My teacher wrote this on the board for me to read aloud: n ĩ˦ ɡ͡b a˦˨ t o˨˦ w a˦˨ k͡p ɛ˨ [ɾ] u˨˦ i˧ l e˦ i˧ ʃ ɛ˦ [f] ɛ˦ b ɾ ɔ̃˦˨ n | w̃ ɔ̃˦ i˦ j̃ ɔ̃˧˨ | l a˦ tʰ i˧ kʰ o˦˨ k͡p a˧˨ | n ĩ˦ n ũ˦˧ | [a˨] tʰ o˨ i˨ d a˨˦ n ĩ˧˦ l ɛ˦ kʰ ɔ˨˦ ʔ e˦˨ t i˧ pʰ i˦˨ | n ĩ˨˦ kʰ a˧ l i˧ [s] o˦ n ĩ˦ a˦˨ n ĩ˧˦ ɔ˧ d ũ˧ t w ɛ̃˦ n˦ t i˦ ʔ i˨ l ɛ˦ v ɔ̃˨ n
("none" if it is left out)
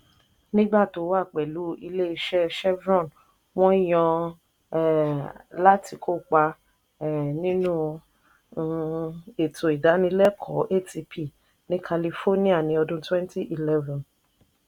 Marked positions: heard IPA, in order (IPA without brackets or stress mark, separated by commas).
l, ʃ, e˨, f